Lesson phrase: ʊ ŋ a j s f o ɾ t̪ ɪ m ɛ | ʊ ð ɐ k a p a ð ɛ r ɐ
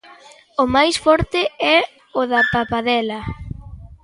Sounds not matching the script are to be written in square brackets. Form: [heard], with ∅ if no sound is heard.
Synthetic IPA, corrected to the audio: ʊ [m] a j s f [ɔ] ɾ t̪ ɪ [∅] ɛ | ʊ ð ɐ [p] a p a ð ɛ [l] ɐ